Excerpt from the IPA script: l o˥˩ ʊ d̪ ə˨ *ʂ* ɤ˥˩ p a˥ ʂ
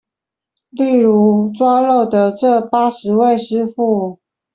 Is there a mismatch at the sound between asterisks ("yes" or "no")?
yes